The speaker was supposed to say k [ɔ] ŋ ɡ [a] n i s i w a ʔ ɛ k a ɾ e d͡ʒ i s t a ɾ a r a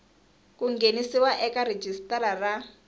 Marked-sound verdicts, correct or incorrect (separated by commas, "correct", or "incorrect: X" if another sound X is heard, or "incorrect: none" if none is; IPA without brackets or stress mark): incorrect: u, incorrect: e